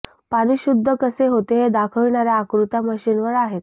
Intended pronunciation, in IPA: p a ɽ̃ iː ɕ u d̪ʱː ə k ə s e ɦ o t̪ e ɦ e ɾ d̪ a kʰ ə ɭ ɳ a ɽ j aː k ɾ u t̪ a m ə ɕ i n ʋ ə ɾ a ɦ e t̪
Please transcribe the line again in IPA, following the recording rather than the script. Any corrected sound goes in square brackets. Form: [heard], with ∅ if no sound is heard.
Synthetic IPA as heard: p a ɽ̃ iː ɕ u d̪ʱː ə k ə s e ɦ o t̪ e ɦ e [∅] d̪ a kʰ ə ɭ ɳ a [ɾ] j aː k ɾ u t̪ a m ə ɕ i n ʋ ə ɾ a ɦ e t̪